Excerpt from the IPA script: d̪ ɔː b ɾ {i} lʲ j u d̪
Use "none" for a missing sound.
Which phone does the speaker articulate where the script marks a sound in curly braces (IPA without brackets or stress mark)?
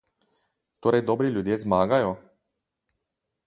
i